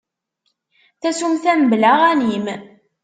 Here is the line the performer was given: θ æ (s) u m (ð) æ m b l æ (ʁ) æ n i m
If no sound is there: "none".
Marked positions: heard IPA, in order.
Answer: s, θ, ʁ

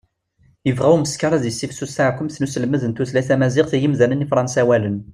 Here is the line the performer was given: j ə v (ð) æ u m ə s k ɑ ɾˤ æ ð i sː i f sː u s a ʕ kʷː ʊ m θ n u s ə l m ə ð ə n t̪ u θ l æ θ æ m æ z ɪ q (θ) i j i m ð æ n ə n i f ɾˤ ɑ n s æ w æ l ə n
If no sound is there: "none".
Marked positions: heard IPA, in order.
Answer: ʁ, θ

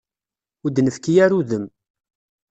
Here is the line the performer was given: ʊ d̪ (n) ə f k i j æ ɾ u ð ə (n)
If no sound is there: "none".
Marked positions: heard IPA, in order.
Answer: n, m

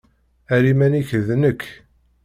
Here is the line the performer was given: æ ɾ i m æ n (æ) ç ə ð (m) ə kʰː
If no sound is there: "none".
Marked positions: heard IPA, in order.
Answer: i, n

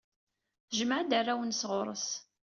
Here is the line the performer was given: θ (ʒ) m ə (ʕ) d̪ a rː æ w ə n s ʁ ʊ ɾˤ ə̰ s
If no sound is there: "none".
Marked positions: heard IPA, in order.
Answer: ʒ, ʕ

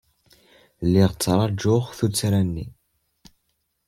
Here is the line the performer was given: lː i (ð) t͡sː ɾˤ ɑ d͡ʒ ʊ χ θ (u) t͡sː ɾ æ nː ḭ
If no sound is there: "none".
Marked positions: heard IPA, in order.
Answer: ʁ, u

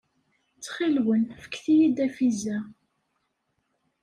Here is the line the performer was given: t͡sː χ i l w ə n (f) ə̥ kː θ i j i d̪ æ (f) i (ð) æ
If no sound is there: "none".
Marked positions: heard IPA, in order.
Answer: f, f, z

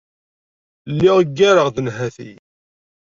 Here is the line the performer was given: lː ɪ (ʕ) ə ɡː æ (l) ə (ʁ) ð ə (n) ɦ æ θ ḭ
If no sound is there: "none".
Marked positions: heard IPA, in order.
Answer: ʁ, ɾ, ʁ, n

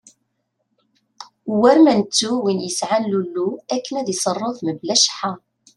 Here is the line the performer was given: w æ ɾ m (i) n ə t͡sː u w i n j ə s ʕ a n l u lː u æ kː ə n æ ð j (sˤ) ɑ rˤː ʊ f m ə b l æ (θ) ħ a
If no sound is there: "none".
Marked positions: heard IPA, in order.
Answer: æ, sˤ, ʃ

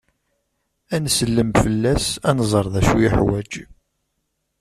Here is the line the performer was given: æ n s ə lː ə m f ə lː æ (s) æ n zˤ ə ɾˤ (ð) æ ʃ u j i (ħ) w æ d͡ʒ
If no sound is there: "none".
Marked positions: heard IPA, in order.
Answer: s, ð, ħ

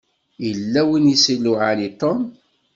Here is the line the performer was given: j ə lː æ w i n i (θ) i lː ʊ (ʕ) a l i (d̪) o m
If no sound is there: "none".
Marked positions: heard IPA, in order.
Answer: s, ʕ, t̪

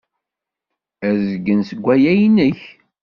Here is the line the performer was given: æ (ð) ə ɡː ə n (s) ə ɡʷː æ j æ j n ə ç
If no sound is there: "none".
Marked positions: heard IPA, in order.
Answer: z, s

